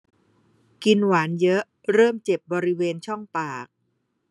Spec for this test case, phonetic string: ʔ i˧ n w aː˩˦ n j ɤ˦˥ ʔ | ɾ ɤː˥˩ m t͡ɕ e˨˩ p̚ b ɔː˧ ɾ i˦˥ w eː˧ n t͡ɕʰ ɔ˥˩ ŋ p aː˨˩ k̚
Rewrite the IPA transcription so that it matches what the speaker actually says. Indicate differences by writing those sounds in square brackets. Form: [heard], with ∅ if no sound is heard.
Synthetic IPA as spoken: [k] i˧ n w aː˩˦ n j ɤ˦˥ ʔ | ɾ ɤː˥˩ m t͡ɕ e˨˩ p̚ b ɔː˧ ɾ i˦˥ w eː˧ n t͡ɕʰ ɔ˥˩ ŋ p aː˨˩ k̚